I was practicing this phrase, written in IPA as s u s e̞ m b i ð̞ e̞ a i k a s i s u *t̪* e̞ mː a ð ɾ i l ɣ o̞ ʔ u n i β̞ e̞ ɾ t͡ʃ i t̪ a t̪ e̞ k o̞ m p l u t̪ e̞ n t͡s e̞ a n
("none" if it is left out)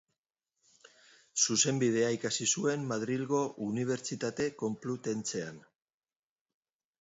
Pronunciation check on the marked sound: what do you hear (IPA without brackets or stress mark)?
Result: none